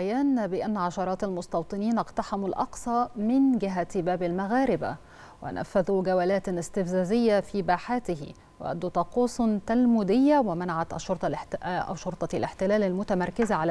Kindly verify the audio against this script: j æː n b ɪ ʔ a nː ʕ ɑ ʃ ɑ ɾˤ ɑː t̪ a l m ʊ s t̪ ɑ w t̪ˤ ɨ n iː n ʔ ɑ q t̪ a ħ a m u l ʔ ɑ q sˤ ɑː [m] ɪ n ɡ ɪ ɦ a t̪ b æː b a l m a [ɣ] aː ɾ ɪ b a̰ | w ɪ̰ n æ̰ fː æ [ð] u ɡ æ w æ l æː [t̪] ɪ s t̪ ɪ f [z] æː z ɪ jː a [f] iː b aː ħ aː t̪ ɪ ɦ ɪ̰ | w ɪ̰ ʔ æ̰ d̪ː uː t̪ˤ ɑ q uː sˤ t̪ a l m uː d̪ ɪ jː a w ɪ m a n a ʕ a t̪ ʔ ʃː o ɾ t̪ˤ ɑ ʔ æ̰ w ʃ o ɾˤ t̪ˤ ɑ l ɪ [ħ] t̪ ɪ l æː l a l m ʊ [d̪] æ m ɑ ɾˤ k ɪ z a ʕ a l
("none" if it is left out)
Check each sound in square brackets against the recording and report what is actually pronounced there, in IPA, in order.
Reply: m, ɣ, ð, t̪, z, f, ħ, t̪

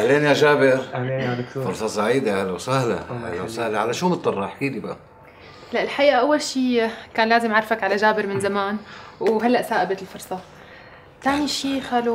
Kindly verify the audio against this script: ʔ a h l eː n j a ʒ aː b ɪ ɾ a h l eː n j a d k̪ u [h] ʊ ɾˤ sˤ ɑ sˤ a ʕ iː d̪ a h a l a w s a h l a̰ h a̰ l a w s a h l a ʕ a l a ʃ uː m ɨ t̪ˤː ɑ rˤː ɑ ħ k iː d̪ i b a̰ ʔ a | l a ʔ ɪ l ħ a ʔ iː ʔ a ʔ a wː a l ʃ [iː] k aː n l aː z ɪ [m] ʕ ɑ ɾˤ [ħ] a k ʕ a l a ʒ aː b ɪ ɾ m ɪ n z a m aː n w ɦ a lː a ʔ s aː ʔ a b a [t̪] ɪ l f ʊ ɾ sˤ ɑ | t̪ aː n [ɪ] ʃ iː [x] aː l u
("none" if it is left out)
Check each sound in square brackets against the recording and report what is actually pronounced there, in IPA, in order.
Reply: f, iː, m, f, t̪, i, x

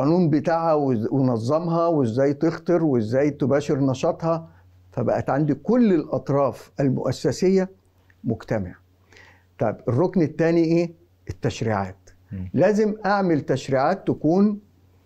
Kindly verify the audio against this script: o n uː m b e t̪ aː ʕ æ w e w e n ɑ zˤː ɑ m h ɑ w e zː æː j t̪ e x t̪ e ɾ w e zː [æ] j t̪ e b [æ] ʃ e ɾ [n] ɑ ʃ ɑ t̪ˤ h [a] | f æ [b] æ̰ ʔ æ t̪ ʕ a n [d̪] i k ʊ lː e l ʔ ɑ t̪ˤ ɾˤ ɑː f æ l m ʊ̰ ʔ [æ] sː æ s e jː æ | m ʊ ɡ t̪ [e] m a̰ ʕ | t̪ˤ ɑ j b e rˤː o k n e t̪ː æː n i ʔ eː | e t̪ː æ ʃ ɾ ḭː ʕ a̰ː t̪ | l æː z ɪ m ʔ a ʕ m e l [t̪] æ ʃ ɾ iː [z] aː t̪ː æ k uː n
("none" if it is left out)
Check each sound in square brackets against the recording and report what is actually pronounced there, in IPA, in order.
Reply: æː, æː, n, ɑ, b, d̪, æ, æ, t̪, ʕ

